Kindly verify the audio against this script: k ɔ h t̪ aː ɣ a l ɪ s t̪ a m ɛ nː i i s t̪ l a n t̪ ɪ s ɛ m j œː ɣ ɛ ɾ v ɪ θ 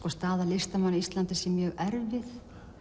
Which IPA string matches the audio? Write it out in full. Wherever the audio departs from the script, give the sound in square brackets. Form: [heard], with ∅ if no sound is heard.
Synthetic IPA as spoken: k ɔ [s] t̪ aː [ð] a l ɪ s t̪ a m [a] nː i i s t̪ l a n t̪ ɪ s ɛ m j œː ɣ ɛ ɾ v ɪ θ